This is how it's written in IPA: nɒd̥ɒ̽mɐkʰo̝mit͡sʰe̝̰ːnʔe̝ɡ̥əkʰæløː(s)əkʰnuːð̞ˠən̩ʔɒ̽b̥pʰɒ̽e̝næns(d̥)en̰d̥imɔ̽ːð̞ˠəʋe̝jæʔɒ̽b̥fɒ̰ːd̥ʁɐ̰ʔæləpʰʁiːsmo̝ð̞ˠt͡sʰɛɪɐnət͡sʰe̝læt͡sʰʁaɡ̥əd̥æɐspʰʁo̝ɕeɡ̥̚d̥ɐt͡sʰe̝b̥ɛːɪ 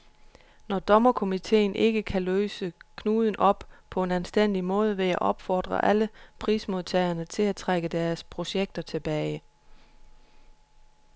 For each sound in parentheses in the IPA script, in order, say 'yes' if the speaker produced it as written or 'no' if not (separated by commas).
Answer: yes, yes